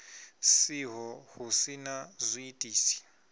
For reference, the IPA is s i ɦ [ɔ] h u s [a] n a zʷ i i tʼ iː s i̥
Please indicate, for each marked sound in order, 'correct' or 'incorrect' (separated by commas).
correct, incorrect